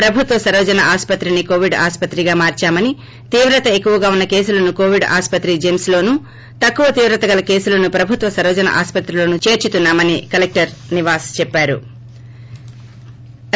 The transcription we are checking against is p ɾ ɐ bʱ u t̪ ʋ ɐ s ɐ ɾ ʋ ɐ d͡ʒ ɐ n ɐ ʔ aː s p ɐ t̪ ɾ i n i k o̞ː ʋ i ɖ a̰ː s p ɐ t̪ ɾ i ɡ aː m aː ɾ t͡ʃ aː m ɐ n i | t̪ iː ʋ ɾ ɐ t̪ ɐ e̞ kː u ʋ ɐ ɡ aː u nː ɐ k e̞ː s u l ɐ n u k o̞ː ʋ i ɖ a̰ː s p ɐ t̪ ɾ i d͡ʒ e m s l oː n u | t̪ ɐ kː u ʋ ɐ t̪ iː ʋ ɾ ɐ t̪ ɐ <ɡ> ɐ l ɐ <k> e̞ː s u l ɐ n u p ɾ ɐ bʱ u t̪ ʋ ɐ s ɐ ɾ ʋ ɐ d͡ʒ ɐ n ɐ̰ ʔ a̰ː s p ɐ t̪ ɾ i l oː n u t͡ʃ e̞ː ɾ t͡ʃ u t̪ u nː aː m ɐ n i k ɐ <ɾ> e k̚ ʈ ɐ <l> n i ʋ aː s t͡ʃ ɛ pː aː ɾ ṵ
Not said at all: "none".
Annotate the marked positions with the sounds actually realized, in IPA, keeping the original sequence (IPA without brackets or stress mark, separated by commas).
ɡ, k, l, ɾ